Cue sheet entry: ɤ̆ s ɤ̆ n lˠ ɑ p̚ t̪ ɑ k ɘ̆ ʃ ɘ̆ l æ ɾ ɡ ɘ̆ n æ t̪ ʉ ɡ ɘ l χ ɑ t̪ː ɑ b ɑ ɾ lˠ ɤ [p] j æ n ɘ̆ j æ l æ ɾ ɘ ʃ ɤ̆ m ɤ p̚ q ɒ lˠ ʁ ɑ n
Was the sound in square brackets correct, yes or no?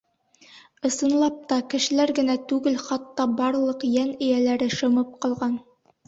no